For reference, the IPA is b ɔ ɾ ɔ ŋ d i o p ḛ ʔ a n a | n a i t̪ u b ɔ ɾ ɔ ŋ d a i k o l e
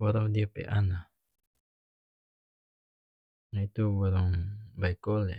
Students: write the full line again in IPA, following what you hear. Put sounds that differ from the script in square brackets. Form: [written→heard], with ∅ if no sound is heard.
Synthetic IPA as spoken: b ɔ ɾ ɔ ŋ d i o p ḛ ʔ a n a | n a i t̪ u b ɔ ɾ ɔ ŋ [d→b] a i k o l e

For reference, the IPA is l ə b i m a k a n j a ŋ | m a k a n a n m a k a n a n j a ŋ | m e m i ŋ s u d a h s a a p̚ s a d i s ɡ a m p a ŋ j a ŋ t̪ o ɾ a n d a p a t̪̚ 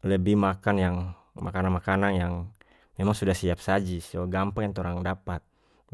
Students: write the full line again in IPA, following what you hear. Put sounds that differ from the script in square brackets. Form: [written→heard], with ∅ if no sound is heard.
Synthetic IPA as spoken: l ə b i m a k a n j a ŋ | m a k a n a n m a k a n a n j a ŋ | m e m [i→a] ŋ s u d a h s [a→i] a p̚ s a [d→d͡ʒ] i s ɡ a m p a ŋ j a ŋ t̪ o ɾ a [n→ŋ] d a p a t̪̚

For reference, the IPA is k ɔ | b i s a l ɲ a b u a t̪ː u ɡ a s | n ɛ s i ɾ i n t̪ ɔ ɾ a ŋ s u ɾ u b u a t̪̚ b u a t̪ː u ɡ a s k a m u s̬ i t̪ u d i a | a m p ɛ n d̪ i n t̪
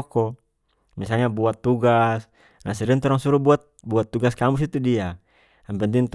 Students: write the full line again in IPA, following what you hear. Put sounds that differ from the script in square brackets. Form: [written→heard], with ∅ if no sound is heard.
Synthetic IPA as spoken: k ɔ | [b→m] i s a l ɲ a b u a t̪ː u ɡ a s | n [ɛ→a] s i ɾ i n t̪ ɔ ɾ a ŋ s u ɾ u b u a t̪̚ b u a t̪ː u ɡ a s k a m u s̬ i t̪ u d i a | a m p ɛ n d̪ i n t̪

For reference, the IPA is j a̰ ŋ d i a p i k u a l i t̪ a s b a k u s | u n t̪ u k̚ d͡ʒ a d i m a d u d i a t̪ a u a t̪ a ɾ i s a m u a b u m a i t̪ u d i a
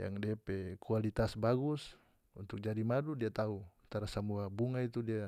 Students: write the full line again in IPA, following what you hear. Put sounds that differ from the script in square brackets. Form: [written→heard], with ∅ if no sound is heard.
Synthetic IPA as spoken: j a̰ ŋ d i a p [i→ɛ] k u a l i t̪ a s b a [k→ɡ] u s | u n t̪ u k̚ d͡ʒ a d i m a d u d i a t̪ a u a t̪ a ɾ [i→a] s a m u a b u [m→ŋ] a i t̪ u d i a

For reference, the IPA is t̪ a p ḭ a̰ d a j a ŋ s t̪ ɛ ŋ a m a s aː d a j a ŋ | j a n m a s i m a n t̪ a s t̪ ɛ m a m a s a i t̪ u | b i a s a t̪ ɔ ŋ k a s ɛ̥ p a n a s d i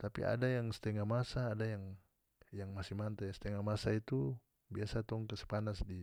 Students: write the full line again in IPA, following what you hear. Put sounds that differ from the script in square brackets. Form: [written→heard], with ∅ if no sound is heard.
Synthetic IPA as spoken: t̪ a p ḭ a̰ d a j a ŋ s t̪ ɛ ŋ a m a s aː d a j a ŋ | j a [n→ŋ] m a s i m a n t̪ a s t̪ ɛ [m→ŋ] a m a s a i t̪ u | b i a s a t̪ ɔ ŋ k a s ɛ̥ p a n a s d i

